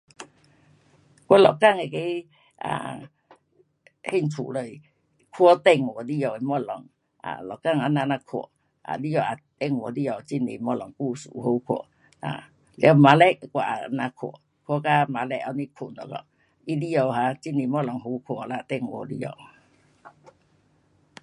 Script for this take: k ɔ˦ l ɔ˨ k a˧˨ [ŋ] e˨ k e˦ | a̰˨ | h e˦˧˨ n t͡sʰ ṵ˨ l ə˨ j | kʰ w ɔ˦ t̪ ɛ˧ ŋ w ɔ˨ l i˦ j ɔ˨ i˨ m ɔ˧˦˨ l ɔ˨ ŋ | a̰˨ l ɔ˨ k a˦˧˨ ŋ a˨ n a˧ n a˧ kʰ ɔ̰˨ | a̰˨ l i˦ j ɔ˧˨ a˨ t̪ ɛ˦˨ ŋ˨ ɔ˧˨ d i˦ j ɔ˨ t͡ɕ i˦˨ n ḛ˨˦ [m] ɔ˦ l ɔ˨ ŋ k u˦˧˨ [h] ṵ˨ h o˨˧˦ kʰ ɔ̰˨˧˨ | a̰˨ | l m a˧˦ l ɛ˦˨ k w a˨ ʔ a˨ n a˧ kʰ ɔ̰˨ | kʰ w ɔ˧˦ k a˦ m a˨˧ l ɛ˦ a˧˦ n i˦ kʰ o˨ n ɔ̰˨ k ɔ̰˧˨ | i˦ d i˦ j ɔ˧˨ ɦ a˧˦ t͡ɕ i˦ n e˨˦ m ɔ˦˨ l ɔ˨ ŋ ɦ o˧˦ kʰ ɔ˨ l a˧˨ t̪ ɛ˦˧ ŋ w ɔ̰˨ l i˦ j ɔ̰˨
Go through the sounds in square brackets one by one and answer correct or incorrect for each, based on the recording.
correct, correct, incorrect

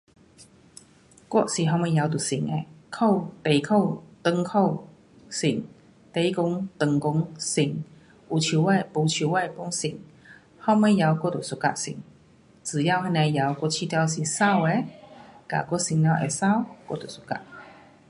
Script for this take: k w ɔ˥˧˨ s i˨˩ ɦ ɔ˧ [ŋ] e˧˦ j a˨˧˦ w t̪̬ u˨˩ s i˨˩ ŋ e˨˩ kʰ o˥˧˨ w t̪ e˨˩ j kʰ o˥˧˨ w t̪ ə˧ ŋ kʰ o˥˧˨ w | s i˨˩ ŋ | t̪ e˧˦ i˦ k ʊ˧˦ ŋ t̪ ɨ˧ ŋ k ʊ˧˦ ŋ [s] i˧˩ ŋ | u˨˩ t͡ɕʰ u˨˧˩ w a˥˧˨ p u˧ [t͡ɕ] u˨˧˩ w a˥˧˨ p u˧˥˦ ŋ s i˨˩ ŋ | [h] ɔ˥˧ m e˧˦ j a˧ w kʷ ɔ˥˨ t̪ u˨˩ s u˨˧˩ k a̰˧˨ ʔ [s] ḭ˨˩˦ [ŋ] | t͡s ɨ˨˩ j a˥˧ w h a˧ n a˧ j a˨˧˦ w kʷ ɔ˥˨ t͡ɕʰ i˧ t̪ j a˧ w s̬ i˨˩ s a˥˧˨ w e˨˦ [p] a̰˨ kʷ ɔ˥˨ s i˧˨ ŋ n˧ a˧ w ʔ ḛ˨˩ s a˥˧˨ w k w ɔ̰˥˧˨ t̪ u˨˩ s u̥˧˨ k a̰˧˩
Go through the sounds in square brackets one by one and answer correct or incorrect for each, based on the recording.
incorrect, correct, incorrect, correct, correct, correct, incorrect

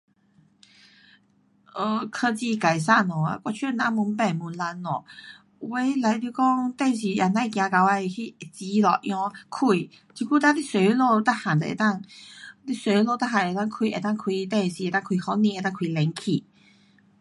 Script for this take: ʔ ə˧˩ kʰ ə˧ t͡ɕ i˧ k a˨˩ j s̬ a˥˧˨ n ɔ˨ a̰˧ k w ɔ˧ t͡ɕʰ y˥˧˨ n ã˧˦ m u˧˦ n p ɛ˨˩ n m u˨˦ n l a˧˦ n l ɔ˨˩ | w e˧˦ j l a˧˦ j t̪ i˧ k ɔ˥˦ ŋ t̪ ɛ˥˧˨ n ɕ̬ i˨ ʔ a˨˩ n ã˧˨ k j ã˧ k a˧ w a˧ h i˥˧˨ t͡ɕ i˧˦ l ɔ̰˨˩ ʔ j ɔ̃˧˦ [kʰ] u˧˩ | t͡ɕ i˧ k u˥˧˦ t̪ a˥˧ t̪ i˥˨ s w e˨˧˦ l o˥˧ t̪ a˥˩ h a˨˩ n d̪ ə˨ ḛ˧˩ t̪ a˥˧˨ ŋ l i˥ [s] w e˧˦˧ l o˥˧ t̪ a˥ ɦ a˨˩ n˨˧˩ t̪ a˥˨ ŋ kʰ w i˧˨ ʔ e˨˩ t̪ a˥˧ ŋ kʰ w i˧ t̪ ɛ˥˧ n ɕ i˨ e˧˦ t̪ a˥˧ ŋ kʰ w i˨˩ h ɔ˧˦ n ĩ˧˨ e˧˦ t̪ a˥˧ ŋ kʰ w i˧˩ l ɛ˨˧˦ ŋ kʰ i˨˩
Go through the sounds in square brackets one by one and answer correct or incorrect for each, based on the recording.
correct, correct

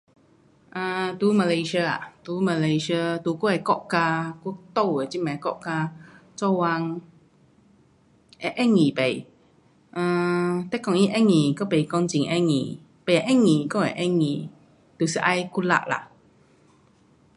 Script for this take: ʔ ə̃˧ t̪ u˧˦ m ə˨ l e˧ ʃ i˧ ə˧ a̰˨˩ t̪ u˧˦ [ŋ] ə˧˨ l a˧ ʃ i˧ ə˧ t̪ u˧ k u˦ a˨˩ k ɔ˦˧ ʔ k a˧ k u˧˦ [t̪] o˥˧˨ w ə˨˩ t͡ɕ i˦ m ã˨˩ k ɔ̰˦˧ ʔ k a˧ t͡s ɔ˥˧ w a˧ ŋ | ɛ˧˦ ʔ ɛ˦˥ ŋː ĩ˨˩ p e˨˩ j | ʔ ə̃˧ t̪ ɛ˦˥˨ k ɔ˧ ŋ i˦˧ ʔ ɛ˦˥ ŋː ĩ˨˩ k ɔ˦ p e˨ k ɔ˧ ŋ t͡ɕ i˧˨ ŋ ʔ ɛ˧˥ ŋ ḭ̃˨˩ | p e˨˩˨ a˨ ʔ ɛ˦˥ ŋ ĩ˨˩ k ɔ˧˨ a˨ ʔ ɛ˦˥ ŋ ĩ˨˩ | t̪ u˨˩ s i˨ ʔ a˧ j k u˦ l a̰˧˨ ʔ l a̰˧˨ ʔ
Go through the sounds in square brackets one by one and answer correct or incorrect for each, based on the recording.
incorrect, correct

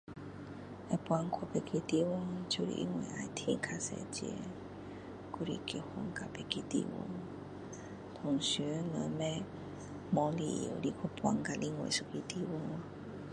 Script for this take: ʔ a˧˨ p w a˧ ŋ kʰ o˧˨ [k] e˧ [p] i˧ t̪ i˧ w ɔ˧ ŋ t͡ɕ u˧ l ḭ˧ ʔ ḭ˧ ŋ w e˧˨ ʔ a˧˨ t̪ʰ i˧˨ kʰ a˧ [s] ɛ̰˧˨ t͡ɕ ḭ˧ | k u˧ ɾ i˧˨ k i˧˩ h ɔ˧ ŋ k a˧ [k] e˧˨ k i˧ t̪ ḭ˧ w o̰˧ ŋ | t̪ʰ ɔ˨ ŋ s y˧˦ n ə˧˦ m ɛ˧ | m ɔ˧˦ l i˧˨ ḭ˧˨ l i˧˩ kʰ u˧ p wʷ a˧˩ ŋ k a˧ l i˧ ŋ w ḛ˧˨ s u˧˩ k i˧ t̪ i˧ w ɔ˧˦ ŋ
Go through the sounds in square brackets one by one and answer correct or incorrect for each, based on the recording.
incorrect, incorrect, correct, incorrect

